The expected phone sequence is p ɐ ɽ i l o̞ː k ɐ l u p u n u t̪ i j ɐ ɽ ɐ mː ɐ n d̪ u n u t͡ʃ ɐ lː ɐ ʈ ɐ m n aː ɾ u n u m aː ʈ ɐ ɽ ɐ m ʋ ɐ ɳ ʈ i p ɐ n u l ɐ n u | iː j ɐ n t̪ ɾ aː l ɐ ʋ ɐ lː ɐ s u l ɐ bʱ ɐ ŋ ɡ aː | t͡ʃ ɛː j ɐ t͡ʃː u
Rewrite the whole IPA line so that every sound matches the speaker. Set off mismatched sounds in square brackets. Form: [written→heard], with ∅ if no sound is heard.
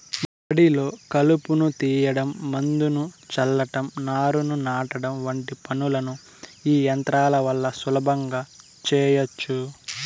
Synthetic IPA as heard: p ɐ ɽ i l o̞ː k ɐ l u p u n u t̪ [i→iː] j ɐ ɽ ɐ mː ɐ n d̪ u n u t͡ʃ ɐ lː ɐ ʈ ɐ m n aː ɾ u n u [m→n] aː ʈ ɐ ɽ ɐ m ʋ ɐ ɳ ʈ i p ɐ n u l ɐ n u | iː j ɐ n t̪ ɾ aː l ɐ ʋ ɐ lː ɐ s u l ɐ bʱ ɐ ŋ ɡ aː | t͡ʃ ɛː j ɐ t͡ʃː u